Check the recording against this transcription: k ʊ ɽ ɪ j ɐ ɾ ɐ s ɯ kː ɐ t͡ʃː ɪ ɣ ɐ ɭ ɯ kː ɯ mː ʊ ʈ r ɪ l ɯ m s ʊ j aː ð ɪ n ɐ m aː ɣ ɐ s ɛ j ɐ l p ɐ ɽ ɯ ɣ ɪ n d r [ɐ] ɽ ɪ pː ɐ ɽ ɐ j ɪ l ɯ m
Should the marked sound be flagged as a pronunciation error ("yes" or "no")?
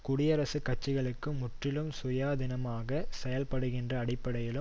yes